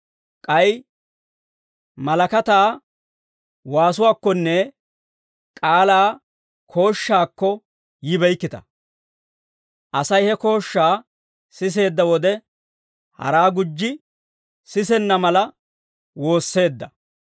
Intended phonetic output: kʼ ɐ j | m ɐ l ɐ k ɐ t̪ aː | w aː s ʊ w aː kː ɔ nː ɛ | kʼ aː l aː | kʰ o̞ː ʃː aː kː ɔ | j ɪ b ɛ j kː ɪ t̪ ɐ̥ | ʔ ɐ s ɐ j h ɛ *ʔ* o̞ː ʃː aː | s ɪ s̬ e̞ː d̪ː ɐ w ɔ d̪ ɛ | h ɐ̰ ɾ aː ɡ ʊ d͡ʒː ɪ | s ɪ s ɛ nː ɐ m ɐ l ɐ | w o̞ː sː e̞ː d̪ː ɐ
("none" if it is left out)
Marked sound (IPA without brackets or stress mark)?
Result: k